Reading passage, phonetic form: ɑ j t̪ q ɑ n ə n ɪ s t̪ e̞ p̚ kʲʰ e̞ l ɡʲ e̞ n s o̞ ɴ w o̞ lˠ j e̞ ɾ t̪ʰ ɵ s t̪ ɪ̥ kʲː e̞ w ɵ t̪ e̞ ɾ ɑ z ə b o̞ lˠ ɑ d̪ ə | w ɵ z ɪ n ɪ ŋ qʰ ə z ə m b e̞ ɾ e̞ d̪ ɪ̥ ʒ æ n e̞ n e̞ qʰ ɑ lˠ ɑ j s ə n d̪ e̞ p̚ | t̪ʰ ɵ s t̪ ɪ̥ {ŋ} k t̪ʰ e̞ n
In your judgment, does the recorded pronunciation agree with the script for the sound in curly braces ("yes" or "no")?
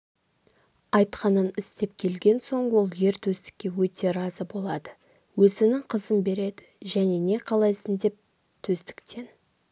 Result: no